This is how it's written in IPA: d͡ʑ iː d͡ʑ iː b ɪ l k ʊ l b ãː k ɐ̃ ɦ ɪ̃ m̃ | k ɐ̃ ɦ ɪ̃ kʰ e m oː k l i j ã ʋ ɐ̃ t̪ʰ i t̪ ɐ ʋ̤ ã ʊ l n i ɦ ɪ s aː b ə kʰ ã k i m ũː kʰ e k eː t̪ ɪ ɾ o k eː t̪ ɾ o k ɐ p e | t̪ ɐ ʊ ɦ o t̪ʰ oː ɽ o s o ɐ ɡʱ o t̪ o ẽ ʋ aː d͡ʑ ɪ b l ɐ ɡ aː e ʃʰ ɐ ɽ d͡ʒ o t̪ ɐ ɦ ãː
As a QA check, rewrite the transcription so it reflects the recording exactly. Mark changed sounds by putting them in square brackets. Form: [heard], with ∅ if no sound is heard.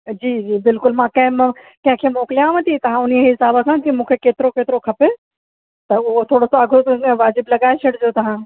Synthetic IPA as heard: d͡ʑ iː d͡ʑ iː b ɪ l k ʊ l [m] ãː k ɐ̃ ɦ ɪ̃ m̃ | k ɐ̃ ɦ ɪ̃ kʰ e m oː k l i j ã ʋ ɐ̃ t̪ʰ i t̪ ɐ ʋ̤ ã ʊ [∅] n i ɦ ɪ s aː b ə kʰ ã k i m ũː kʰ e k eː t̪ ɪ ɾ o k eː t̪ ɾ o [kʰ] ɐ p e | t̪ ɐ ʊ ɦ o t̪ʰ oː ɽ o s o ɐ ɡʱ o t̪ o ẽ ʋ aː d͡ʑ ɪ b l ɐ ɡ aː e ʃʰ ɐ ɽ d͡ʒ o t̪ ɐ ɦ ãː